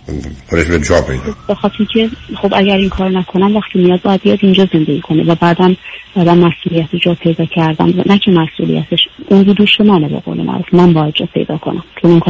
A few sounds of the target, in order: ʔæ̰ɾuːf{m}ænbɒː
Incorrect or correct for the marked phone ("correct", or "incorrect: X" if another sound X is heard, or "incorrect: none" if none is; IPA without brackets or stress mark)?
correct